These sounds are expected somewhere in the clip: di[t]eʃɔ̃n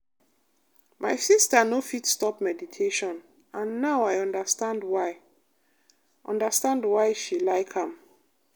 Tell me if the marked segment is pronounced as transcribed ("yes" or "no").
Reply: no